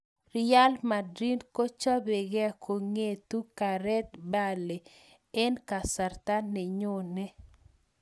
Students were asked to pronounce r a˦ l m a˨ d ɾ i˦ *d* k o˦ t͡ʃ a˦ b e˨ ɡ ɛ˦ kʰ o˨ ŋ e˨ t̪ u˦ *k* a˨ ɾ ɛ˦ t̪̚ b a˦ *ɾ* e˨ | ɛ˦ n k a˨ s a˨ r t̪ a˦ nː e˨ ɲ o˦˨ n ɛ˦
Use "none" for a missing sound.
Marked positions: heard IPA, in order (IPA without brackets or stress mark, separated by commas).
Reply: n, k, l